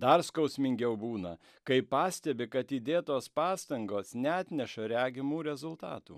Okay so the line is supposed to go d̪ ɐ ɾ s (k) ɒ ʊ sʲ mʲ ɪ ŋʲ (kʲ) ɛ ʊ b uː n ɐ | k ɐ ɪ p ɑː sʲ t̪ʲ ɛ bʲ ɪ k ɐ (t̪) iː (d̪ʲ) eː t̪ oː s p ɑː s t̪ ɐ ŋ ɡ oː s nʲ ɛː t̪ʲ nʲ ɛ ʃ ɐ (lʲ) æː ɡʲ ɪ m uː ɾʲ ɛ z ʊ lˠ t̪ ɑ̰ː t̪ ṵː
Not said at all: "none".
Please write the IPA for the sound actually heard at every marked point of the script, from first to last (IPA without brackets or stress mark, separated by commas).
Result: k, ɡʲ, t̪, d̪ʲ, ɾʲ